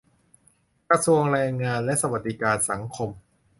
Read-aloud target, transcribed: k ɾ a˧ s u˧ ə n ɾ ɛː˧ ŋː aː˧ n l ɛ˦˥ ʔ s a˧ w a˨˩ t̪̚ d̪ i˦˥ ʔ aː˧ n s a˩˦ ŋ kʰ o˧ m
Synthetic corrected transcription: k ɾ a˧ s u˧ ə ŋ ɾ ɛː˧ ŋː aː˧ n l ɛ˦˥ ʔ s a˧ w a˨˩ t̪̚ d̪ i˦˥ k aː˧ n s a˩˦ ŋ kʰ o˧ m